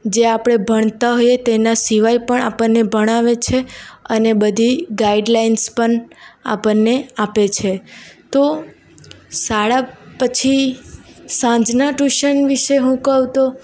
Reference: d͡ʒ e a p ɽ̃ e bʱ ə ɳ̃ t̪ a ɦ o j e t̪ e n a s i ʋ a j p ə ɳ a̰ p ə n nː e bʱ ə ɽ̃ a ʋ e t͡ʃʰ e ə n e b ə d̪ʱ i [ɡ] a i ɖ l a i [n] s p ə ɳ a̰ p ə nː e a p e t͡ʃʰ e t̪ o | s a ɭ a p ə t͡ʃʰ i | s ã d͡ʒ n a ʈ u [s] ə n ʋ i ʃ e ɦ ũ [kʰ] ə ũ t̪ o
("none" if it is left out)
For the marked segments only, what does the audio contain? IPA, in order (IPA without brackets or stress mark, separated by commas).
ɡ, n, ʃ, k